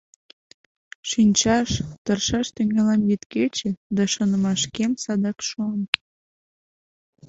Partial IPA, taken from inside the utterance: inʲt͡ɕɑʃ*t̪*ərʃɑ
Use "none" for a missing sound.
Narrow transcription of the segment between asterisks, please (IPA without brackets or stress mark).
t̪